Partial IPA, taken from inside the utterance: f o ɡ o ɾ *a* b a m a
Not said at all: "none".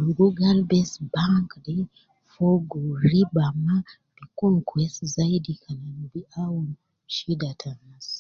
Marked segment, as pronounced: i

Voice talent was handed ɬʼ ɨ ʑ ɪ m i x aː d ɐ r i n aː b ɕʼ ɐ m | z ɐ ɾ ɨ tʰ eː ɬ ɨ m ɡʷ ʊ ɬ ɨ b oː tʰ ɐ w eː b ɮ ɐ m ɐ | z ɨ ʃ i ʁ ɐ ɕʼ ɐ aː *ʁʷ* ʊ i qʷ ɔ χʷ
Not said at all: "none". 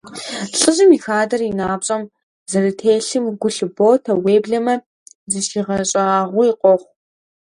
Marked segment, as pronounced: ʁʷ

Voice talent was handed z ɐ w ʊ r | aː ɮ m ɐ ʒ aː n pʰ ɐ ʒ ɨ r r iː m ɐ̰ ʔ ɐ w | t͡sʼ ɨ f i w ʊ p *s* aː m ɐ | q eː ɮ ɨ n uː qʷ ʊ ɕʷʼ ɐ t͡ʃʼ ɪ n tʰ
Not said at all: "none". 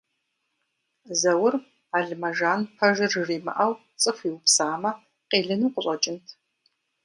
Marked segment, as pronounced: s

